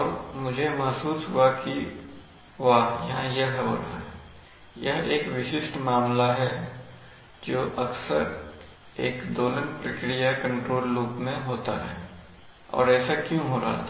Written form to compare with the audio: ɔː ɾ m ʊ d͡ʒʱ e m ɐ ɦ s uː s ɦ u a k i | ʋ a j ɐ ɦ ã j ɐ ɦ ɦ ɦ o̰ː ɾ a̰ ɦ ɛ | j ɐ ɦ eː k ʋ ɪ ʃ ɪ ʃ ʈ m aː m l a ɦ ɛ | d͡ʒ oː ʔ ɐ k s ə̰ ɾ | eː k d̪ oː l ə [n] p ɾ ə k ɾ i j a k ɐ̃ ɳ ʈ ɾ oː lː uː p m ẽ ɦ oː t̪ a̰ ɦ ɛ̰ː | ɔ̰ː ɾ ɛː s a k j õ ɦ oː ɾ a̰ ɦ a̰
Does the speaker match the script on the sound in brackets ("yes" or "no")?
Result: yes